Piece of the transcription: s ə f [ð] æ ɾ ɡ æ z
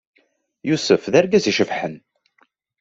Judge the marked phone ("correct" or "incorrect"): correct